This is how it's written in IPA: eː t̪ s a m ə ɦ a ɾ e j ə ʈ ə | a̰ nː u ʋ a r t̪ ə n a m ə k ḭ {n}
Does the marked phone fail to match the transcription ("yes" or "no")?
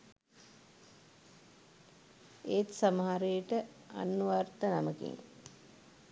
yes